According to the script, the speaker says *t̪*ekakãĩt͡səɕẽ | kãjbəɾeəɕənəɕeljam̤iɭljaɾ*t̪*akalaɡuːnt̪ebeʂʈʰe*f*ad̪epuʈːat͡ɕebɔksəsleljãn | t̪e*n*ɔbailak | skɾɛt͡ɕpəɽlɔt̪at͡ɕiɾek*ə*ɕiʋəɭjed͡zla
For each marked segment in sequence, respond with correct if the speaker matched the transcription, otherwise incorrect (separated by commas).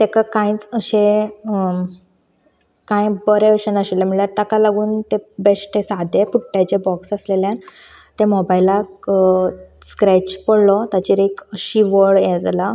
correct, correct, incorrect, incorrect, correct